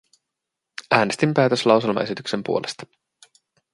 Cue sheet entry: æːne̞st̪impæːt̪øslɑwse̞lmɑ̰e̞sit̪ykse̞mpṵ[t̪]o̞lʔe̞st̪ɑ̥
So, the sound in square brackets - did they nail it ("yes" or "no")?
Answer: no